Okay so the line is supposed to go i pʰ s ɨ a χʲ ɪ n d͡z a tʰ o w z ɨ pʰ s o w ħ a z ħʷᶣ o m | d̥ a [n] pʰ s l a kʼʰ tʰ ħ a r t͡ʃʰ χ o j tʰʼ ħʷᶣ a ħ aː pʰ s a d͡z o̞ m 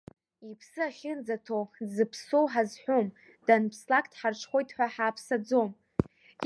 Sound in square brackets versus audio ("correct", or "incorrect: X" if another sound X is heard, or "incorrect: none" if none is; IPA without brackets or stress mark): correct